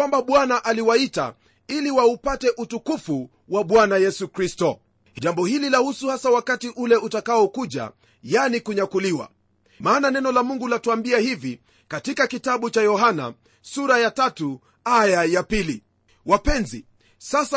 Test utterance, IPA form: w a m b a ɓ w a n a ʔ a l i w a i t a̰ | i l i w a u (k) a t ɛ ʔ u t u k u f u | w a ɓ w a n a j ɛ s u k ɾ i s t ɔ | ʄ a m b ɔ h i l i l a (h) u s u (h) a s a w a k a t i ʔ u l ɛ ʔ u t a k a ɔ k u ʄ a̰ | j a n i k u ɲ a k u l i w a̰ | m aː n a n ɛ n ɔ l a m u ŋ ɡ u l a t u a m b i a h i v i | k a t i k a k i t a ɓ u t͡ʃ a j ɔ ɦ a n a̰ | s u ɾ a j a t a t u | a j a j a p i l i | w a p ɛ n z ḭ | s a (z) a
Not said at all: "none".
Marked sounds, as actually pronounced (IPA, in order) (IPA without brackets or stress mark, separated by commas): p, h, h, s